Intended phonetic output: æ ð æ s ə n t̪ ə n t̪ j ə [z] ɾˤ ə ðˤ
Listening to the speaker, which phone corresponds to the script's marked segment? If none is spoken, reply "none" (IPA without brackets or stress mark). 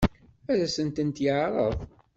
ʕ